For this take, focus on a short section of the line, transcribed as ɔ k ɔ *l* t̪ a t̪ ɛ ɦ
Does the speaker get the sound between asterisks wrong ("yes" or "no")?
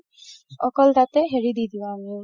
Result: no